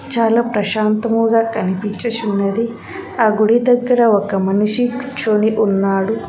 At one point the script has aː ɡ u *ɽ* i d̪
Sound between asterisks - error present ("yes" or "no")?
no